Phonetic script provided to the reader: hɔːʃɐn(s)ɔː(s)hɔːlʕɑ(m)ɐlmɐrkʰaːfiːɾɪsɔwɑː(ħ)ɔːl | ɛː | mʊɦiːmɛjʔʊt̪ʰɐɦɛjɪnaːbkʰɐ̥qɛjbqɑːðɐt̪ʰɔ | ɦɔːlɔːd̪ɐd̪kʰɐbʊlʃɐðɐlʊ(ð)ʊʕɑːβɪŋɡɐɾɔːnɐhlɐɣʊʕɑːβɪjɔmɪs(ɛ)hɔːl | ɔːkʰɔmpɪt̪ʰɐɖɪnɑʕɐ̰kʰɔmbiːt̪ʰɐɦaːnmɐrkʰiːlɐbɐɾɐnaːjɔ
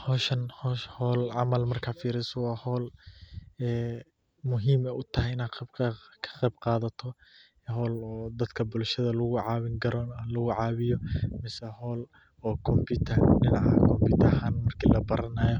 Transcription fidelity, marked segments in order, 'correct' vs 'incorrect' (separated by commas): incorrect, incorrect, correct, incorrect, incorrect, correct